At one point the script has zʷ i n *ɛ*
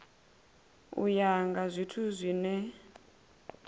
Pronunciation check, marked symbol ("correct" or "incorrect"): correct